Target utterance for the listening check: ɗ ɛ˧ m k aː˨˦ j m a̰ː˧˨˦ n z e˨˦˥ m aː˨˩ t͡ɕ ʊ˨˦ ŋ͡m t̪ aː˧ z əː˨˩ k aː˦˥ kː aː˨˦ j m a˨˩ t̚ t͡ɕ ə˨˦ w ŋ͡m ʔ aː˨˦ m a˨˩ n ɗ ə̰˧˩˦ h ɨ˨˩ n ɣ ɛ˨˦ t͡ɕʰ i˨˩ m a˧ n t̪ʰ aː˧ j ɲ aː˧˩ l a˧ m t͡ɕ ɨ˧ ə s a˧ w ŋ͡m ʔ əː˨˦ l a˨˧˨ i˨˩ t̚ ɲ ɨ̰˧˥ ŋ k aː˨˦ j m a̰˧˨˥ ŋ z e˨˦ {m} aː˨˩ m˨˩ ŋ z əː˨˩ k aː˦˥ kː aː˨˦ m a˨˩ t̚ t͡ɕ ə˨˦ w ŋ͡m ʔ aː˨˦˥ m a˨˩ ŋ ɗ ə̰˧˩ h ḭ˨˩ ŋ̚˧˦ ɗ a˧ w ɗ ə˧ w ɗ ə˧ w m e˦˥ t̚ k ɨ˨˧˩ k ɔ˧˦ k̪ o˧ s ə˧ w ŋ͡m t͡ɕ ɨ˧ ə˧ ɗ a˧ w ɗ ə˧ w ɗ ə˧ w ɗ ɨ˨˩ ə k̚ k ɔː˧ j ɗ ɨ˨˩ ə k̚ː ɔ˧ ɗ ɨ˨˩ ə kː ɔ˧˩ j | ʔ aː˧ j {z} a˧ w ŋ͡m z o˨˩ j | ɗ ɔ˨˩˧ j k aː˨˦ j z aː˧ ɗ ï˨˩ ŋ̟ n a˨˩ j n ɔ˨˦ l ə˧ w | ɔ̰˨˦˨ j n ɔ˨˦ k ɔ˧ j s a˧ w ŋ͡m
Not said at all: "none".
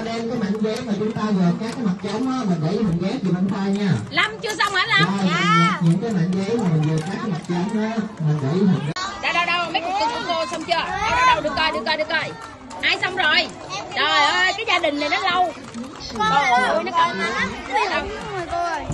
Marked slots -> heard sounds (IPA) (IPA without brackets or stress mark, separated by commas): m, s